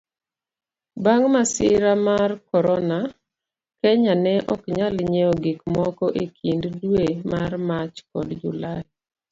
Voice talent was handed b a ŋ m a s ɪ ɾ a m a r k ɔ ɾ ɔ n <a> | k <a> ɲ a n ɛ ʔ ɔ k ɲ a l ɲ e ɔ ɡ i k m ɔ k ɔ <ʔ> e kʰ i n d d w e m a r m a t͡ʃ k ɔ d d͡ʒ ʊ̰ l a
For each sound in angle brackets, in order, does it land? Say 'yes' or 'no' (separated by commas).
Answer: yes, no, yes